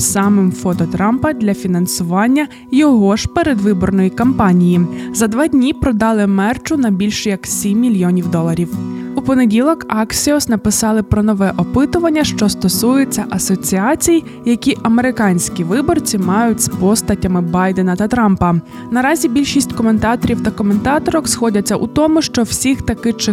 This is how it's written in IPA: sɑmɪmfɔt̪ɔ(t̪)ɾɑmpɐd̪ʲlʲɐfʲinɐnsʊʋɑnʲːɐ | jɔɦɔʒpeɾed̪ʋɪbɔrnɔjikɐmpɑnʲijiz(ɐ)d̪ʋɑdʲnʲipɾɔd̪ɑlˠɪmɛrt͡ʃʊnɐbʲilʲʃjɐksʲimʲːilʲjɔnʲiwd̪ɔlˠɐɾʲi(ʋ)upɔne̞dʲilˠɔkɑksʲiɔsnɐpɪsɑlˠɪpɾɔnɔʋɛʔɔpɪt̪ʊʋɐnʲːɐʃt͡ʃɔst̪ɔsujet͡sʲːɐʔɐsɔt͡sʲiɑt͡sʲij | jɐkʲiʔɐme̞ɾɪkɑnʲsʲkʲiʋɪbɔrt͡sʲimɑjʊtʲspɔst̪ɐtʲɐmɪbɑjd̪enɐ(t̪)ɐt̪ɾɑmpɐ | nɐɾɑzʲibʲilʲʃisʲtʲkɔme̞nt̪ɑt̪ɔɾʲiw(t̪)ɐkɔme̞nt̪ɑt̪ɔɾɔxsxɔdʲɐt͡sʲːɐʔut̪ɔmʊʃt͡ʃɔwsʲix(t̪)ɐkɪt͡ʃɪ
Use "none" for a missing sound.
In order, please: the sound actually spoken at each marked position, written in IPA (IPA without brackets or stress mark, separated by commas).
t̪, ɐ, w, t̪, t̪, t̪